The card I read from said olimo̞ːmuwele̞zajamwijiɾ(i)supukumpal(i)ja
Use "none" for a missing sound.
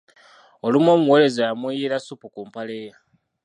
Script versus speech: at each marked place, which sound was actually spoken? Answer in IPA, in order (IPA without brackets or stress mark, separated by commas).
a, e